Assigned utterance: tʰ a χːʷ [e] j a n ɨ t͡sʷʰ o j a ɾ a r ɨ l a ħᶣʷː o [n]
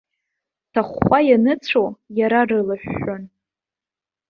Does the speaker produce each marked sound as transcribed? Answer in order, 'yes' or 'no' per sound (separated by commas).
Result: no, yes